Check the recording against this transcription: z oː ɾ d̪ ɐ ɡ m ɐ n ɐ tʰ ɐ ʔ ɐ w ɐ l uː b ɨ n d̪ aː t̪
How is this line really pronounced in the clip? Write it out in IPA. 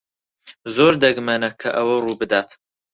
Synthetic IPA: z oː ɾ d̪ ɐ ɡ m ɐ n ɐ kʰ ɐ ʔ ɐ w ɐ r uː b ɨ d̪ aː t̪